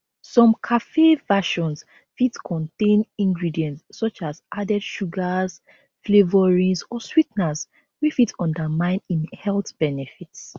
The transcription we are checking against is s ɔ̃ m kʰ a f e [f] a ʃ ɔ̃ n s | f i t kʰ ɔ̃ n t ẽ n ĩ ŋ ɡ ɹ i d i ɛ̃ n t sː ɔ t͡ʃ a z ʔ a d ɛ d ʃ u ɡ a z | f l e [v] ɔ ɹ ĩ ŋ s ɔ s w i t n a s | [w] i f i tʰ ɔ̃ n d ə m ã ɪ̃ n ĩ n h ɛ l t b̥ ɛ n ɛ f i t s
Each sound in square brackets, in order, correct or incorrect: incorrect: v, correct, correct

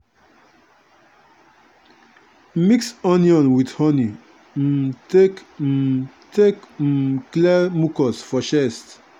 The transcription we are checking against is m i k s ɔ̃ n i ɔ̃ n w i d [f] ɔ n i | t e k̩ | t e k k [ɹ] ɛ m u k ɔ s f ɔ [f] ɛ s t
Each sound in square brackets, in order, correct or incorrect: incorrect: h, incorrect: l, incorrect: ʃ

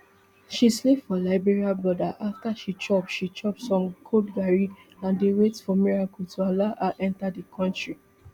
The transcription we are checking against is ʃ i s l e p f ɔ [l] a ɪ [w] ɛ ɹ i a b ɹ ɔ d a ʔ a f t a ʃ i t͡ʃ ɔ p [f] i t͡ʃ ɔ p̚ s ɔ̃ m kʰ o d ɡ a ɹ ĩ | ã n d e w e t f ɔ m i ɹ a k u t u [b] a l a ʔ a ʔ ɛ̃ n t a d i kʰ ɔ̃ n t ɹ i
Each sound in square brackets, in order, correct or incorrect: correct, incorrect: b, incorrect: ʃ, incorrect: none

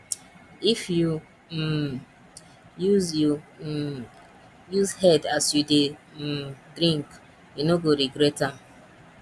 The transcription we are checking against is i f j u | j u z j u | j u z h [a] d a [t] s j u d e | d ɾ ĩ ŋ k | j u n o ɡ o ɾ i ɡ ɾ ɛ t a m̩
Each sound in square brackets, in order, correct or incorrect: incorrect: ɛ, incorrect: none

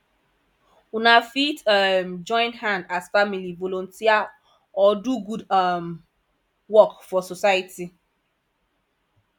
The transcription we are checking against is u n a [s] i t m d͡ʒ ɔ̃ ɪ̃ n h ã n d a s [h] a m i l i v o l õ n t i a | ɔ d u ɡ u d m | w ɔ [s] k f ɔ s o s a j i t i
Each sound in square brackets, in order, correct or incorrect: incorrect: f, incorrect: f, incorrect: none

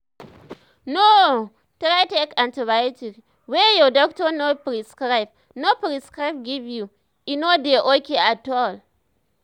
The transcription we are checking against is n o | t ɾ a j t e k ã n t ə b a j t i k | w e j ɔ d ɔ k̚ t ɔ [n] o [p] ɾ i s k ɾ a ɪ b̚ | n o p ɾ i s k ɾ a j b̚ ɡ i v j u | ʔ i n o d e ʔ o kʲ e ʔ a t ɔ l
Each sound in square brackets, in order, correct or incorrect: correct, correct

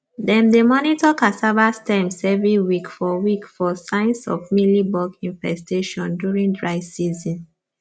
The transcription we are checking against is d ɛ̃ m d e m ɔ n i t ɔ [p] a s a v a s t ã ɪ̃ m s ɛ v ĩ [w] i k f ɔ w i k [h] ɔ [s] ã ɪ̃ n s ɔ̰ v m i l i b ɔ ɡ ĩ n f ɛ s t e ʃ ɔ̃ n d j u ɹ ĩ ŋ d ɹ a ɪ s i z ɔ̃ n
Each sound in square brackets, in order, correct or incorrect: incorrect: k, correct, incorrect: f, correct

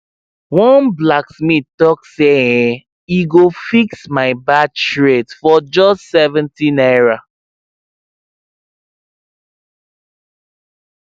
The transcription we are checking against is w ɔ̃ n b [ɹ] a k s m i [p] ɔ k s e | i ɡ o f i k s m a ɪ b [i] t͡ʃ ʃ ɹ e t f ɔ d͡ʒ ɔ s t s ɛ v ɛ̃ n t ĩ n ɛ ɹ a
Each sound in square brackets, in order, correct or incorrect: incorrect: l, incorrect: t, incorrect: a

